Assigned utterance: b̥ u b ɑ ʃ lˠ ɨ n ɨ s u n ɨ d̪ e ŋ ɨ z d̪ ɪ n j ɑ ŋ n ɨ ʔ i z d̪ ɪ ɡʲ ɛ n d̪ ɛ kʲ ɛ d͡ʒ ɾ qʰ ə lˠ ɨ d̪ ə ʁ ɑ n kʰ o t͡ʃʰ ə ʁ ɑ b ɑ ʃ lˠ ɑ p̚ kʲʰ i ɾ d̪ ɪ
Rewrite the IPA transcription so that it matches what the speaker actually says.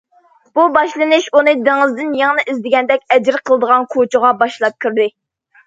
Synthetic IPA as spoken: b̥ u b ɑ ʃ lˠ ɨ n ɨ ʃ u n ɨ d̪ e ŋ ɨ z d̪ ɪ n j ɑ ŋ n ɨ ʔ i z d̪ ɪ ɡʲ ɛ n d̪ ɛ kʲ ɛ d͡ʒ ɾ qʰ ə lˠ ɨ d̪ ə ʁ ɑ n kʰ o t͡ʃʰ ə ʁ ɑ b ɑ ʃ lˠ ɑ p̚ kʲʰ y ɾ d̪ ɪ